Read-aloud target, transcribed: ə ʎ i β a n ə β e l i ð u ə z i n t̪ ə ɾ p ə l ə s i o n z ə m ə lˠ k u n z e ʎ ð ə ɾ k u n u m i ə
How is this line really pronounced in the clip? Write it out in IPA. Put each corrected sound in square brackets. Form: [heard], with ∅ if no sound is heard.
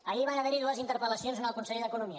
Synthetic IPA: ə ʎ i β a n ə β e [ɾ] i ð u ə z i n t̪ ə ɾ p ə l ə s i o n z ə [n] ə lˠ k u n [s] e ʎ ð ə [∅] k u n u m i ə